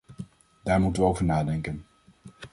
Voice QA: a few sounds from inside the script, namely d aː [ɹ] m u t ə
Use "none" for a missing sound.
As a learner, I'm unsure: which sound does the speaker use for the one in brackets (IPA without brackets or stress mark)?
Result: ɹ